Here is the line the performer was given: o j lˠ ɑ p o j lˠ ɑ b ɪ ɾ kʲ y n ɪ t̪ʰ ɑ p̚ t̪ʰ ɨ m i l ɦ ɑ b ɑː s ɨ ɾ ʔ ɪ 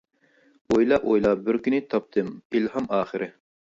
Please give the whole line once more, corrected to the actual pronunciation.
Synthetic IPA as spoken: o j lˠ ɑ ʔ o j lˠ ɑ b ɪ ɾ kʲ y n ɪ t̪ʰ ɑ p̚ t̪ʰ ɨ m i l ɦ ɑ m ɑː χ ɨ ɾ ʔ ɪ